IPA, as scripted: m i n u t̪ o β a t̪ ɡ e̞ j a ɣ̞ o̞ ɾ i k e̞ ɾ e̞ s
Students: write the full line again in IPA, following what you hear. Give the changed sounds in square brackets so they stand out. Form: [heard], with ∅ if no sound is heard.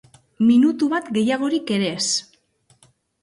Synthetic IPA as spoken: m i n u t̪ [u] β a t̪ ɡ e̞ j a ɣ̞ o̞ ɾ i k e̞ ɾ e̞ s

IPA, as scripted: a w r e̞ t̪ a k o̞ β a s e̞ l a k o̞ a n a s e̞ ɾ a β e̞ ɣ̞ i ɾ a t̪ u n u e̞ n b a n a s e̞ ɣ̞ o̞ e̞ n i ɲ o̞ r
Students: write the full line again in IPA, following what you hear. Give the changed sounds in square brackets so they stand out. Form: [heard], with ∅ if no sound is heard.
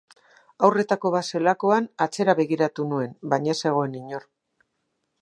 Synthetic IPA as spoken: a w r e̞ t̪ a k o̞ β a s e̞ l a k o̞ a n a [t͡s] e̞ ɾ a β e̞ ɣ̞ i ɾ a t̪ u n u e̞ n b a [ɲ] a s e̞ ɣ̞ o̞ e̞ n i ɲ o̞ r

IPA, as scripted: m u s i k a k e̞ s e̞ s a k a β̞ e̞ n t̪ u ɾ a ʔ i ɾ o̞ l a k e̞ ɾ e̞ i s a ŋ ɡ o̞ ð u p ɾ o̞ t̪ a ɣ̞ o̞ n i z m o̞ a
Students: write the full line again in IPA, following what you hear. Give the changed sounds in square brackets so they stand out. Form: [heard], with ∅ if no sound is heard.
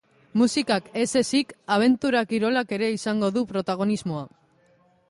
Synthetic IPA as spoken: m u s i k a k e̞ s e̞ s [i] k a β̞ e̞ n t̪ u ɾ a [k] i ɾ o̞ l a k e̞ ɾ e̞ i s a ŋ ɡ o̞ ð u p ɾ o̞ t̪ a ɣ̞ o̞ n i z m o̞ a

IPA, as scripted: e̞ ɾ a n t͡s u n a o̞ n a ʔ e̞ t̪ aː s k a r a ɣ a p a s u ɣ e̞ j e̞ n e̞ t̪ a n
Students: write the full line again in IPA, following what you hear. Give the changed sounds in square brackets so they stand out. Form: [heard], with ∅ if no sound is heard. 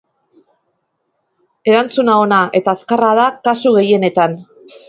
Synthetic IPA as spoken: e̞ ɾ a n t͡s u n a o̞ n a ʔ e̞ t̪ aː s k a r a [ð] a [k] a s u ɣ e̞ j e̞ n e̞ t̪ a n

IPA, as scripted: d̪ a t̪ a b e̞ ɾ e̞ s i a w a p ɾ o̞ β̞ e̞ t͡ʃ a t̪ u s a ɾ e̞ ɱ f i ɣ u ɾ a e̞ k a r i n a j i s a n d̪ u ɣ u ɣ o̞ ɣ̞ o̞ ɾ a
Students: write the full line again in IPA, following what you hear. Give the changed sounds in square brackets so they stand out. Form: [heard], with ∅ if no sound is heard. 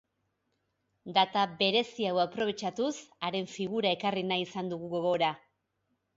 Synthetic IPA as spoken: d̪ a t̪ a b e̞ ɾ e̞ s i a w a p ɾ o̞ β̞ e̞ t͡ʃ a t̪ u s a ɾ e̞ ɱ f i ɣ u ɾ a e̞ k a r i n a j i s a n d̪ u ɣ u ɣ o̞ ɣ̞ o̞ ɾ a

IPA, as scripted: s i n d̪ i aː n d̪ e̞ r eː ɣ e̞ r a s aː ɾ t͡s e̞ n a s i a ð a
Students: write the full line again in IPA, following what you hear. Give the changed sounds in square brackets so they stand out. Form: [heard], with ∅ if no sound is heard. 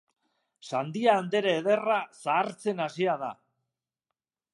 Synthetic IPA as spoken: s [a] n d̪ i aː n d̪ e̞ [ɾ] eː [ð] e̞ r a s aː ɾ t͡s e̞ n a s i a ð a

